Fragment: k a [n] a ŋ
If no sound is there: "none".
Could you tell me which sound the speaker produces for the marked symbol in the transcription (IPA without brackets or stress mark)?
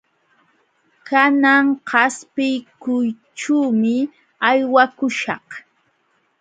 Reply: n